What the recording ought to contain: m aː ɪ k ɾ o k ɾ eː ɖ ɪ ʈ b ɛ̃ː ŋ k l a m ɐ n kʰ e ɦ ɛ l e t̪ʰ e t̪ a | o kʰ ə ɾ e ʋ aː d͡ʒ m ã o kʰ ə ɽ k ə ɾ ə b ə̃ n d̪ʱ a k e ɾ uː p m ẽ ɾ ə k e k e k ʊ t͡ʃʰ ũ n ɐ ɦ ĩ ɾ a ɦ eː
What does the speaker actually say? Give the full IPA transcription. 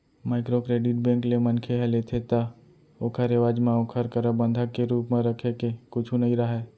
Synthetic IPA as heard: m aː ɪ k ɾ o k ɾ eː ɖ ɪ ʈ b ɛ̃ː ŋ k l e m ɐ n kʰ e ɦ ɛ l e t̪ʰ e t̪ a | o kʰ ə ɾ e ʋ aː d͡ʒ m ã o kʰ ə ɾ k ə ɾ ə b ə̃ n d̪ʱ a k e ɾ uː p m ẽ ɾ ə kʰ e k e k ʊ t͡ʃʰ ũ n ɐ ɦ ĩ ɾ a ɦ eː